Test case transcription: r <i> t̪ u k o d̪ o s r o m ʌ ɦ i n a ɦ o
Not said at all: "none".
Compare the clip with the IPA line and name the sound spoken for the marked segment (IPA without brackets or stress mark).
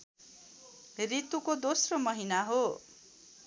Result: i